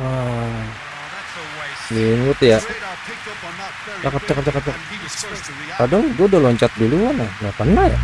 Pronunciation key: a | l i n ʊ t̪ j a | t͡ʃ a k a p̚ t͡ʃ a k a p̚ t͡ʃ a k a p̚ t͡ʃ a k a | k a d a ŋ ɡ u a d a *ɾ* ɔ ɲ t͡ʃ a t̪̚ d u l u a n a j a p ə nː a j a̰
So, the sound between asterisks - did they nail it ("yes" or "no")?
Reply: no